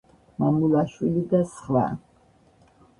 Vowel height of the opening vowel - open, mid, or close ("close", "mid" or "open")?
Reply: open